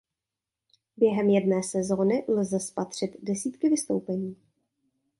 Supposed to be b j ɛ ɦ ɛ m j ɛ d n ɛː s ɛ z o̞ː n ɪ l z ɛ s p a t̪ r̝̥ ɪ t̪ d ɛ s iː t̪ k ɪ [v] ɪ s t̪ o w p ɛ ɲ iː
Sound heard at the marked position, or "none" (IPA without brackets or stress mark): v